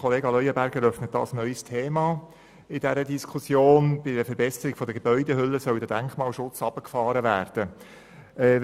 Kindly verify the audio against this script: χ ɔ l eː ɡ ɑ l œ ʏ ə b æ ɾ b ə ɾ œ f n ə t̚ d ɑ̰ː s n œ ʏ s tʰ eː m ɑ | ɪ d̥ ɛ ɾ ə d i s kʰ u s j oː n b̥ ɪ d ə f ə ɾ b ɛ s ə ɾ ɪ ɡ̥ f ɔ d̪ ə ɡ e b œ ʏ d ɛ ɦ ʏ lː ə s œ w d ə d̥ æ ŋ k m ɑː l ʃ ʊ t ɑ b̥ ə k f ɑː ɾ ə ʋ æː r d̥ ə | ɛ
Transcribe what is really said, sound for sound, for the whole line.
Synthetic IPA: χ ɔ l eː ɡ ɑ l œ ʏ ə b æ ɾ ɡ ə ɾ œ f n ə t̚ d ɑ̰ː s n œ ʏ s tʰ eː m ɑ | ɪ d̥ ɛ ɾ ə d i s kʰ u s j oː n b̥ ɪ d ə f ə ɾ b ɛ s ə ɾ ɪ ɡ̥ f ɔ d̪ ə ɡ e b œ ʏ d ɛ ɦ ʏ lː ə s œ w d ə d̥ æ ŋ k m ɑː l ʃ ʊ t͡s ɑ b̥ ə k f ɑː ɾ ə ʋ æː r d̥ ə | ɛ